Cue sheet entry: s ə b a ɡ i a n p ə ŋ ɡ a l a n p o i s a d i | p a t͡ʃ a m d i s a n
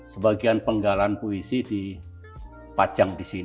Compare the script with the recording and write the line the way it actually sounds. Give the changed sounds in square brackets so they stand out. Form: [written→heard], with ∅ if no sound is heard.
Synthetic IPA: s ə b a ɡ i a n p ə ŋ ɡ a l a n p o i s [a→i] d i | p a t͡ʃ a [m→ŋ] d i s [a→i] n